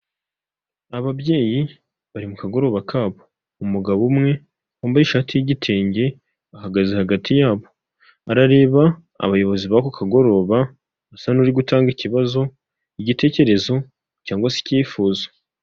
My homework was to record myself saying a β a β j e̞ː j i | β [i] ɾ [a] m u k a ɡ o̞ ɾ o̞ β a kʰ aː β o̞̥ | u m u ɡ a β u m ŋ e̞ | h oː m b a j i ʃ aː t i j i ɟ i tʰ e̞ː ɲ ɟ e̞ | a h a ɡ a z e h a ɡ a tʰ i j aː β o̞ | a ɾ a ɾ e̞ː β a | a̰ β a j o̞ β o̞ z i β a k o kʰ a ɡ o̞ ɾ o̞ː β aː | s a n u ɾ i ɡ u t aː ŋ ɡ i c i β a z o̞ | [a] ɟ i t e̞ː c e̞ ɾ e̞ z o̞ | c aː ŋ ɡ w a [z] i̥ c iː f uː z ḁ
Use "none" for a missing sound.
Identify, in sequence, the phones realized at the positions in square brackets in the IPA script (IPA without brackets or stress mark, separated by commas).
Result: a, i, i, s